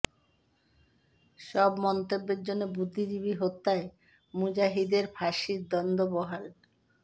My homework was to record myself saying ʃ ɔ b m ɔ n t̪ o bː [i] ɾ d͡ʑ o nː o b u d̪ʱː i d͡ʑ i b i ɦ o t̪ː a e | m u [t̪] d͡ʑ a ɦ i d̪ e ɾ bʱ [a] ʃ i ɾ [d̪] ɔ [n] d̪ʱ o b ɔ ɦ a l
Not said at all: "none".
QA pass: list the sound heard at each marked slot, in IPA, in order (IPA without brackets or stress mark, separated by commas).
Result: e, none, a, d̪, n